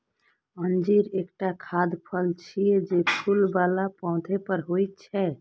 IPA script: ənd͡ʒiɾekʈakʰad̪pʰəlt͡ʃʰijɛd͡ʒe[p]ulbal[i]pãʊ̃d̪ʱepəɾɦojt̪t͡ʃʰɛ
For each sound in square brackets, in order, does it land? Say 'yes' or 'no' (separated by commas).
no, no